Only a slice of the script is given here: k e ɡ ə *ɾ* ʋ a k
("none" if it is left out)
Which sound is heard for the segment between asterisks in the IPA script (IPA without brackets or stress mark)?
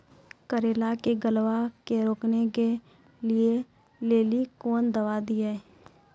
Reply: l